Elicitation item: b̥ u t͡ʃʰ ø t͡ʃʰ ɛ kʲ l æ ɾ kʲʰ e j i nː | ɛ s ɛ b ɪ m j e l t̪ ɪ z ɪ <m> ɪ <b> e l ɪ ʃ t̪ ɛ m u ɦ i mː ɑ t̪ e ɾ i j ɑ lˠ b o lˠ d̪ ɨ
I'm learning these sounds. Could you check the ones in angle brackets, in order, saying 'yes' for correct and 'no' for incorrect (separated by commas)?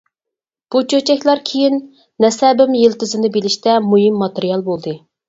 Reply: no, yes